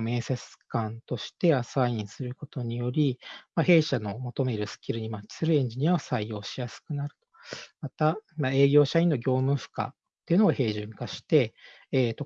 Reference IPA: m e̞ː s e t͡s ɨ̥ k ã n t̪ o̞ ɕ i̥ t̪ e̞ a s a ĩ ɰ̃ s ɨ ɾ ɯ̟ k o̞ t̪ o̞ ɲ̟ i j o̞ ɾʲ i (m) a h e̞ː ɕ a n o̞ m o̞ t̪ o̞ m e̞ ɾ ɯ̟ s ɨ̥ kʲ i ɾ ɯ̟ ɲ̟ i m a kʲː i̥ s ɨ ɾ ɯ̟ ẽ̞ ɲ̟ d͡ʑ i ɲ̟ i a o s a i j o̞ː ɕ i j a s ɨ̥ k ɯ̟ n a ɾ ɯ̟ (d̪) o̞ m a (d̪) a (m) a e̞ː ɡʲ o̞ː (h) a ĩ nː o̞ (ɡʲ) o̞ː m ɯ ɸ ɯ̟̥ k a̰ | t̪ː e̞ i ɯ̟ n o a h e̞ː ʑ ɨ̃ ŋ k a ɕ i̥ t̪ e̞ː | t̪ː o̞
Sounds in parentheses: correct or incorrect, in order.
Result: correct, incorrect: t̪, incorrect: t̪, correct, incorrect: ɕ, correct

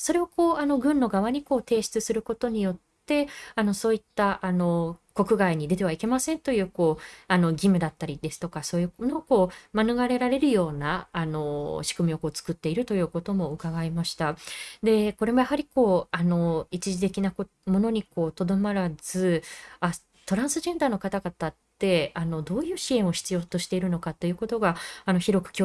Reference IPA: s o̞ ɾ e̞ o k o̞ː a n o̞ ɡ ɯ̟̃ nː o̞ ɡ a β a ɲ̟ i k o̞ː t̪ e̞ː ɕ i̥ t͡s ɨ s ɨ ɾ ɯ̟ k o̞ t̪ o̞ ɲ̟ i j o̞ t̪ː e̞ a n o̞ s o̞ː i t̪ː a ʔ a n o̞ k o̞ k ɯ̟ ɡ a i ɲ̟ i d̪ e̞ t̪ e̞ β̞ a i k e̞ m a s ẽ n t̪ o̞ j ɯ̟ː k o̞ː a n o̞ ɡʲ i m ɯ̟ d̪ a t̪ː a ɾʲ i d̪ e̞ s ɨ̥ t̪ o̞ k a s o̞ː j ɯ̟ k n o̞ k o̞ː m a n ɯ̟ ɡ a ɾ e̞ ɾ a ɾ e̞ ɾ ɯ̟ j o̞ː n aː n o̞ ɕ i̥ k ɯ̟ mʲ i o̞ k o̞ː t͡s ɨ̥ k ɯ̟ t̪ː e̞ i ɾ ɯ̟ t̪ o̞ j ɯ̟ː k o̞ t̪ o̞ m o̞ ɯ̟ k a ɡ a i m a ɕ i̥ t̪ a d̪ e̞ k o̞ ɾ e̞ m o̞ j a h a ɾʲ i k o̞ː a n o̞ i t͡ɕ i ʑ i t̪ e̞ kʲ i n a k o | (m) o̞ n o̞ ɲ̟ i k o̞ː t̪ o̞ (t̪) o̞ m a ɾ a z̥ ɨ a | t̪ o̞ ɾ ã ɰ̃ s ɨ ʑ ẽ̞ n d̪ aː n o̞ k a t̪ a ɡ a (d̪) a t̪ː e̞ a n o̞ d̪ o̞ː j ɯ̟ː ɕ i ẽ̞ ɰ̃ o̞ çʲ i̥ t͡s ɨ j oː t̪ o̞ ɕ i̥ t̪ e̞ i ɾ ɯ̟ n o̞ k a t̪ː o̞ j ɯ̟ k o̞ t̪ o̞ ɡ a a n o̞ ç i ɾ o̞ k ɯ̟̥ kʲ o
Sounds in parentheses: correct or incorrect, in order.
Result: correct, incorrect: d̪, incorrect: t̪

